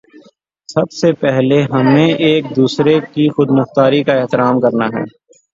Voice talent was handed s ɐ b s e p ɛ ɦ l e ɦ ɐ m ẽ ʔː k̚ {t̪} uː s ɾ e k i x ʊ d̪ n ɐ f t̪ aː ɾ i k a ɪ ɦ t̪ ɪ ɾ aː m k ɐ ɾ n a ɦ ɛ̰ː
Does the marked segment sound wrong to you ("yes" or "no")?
yes